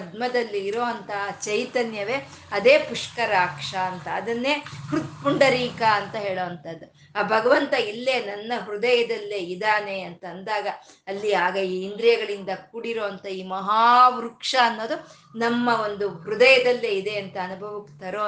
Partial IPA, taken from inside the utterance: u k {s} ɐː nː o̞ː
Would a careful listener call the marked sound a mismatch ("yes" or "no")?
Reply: yes